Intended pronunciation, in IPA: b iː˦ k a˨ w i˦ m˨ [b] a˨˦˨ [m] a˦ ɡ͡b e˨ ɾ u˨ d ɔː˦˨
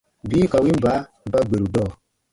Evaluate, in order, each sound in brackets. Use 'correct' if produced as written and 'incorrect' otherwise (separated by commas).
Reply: correct, incorrect